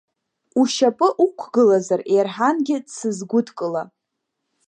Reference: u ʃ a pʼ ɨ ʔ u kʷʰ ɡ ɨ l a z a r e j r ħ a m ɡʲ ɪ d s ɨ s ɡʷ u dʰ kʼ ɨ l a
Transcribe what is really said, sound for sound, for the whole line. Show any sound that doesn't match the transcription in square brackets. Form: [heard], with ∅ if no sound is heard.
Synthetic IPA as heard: u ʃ a pʼ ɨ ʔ u kʷʰ ɡ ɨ l a z a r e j r ħ a [n] ɡʲ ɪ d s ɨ [z] ɡʷ [ʊ] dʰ kʼ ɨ l a

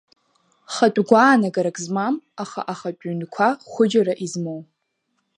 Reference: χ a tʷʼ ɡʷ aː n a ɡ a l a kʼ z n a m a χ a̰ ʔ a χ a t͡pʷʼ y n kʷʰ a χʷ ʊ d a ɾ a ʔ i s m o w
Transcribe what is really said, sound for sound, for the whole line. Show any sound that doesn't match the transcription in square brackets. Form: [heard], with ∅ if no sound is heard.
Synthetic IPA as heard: χ a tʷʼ ɡʷ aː n a ɡ a [ɾ] a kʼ z [m] a m a χ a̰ ʔ a χ a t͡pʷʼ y n kʷʰ a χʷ ʊ [d͡ʒ] a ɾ a ʔ i [z] m o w

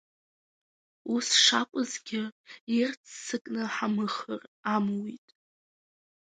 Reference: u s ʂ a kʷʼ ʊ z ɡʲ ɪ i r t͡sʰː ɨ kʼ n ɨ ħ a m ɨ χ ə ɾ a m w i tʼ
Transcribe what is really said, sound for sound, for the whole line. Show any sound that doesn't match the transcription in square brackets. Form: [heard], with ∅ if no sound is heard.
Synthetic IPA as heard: u s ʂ a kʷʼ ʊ z ɡʲ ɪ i r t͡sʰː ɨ kʼ n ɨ ħ a m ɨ χ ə [r] a m w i tʼ

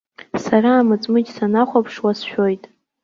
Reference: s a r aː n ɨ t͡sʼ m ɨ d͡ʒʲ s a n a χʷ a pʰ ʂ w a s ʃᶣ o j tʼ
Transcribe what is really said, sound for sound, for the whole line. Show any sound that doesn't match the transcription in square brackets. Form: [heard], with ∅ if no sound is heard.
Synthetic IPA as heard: s a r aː [m] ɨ t͡sʼ m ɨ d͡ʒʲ s a n a χʷ a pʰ ʂ w a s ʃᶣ o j tʼ

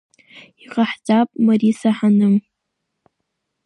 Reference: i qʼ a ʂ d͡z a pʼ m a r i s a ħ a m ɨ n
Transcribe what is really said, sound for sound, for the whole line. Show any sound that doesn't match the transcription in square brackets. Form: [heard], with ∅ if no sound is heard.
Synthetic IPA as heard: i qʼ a [ħ] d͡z a pʼ m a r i s a ħ a [n] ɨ [m]

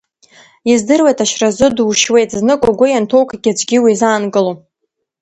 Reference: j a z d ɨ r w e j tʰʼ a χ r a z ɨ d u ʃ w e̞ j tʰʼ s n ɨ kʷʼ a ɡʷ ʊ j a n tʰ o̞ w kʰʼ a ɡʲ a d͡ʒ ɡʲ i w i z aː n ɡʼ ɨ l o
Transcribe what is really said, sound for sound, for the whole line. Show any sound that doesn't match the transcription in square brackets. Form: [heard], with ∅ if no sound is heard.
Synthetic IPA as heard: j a z d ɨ r w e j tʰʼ a [ʃ] r a z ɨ d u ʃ w e̞ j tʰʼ [z] n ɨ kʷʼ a ɡʷ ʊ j a n tʰ o̞ w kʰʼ a ɡʲ a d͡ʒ ɡʲ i w i z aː n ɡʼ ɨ l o

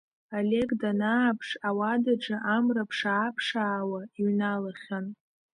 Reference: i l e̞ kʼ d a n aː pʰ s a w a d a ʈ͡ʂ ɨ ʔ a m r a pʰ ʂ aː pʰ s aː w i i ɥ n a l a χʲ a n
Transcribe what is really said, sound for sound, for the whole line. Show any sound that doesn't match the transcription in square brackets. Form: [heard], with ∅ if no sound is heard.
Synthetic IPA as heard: [a] l e̞ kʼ d a n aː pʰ [ʂ] a w a d a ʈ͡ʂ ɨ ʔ a m r a pʰ ʂ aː pʰ [ʂ] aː w [a] i ɥ n a l a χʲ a n

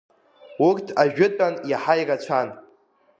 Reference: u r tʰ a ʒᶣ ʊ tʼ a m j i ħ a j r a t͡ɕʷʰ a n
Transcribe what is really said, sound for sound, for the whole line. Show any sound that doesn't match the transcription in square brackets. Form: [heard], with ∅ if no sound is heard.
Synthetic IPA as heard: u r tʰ a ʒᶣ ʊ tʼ a [n] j [a] ħ a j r a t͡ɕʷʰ a n

